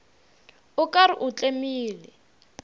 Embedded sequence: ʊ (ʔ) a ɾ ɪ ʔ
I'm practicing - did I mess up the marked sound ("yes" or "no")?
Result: yes